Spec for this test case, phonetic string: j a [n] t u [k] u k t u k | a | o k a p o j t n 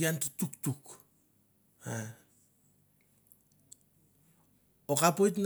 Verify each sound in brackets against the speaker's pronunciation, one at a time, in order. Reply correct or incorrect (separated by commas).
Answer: correct, incorrect